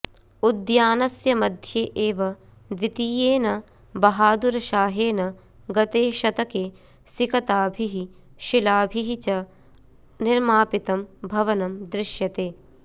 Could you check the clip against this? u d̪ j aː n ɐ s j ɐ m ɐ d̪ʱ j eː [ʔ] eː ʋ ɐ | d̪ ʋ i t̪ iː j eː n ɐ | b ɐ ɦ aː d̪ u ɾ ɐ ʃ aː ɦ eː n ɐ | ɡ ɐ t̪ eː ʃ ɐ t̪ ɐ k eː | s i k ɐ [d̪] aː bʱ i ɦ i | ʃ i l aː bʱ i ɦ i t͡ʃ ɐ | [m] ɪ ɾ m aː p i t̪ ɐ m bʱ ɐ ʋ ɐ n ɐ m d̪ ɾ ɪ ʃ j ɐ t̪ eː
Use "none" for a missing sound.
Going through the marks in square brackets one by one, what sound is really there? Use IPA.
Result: ʔ, t̪, n

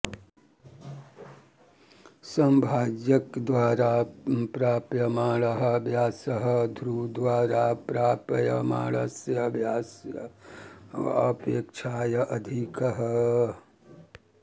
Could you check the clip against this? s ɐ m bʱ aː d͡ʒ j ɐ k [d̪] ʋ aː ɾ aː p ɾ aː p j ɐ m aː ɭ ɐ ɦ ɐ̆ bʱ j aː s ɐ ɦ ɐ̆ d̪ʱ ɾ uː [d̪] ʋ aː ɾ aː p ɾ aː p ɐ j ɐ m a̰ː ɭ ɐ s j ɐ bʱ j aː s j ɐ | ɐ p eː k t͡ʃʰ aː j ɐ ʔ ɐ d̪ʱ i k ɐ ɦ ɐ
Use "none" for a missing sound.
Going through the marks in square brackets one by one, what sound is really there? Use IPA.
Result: d̪, d̪

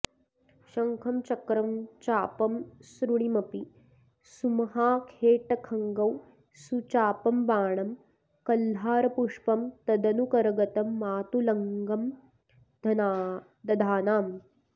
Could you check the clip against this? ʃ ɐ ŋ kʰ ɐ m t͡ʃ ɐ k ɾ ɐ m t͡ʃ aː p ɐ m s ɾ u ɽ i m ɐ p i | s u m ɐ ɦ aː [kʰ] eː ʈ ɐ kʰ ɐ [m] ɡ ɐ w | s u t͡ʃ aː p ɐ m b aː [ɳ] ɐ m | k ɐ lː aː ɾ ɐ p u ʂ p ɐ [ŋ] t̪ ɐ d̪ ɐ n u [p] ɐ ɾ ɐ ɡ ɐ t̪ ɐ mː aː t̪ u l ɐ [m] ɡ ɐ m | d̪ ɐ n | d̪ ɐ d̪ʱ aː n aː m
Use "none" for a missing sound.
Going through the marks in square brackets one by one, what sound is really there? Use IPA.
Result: kʰ, ŋ, ɳ, m, k, ŋ

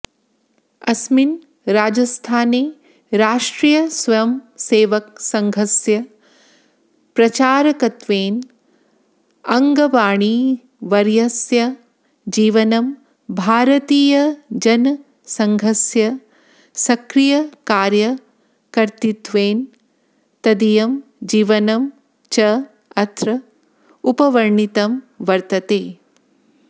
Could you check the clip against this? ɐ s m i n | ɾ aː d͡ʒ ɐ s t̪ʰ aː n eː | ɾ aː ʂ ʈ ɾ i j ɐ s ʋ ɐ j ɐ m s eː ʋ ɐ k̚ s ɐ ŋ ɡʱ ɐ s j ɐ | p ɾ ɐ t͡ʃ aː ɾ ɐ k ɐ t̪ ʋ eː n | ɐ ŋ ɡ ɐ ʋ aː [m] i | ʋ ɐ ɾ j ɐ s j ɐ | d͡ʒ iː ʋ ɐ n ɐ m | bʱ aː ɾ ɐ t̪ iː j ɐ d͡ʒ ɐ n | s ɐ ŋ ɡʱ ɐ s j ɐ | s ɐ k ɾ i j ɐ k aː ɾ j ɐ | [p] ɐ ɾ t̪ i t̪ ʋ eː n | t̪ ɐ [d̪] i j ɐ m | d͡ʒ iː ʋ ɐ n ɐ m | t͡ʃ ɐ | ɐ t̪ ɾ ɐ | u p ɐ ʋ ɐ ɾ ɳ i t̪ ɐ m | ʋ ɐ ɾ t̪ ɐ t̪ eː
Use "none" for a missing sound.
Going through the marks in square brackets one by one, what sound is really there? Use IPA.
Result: ɳ, k, d̪

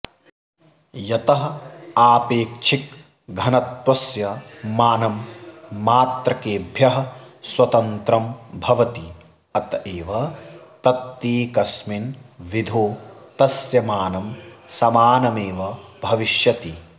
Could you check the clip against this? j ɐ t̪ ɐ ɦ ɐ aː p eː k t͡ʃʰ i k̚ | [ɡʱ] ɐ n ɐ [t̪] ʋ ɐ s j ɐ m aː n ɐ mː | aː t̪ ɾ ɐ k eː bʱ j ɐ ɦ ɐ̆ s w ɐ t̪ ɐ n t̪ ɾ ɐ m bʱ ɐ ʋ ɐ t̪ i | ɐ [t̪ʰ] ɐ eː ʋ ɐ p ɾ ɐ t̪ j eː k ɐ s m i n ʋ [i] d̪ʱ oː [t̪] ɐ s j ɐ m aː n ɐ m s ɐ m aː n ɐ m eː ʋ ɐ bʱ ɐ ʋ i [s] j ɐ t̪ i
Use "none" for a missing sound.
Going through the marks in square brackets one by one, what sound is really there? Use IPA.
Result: ɡʱ, t̪, t̪, i, t̪, ʃ

